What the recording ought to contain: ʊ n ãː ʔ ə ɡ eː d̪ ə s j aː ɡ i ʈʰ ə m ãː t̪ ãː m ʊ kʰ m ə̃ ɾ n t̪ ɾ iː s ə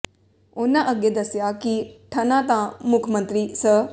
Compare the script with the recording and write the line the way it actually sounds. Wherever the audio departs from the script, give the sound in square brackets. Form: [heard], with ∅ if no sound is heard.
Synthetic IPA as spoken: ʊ n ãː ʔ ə ɡ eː d̪ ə s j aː [k] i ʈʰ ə [n] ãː t̪ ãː m ʊ kʰ m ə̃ [∅] n t̪ ɾ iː s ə